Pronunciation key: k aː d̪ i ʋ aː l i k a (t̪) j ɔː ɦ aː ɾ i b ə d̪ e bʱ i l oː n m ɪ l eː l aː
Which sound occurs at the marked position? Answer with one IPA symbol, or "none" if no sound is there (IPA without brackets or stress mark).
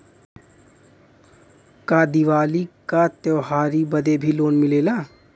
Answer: t̪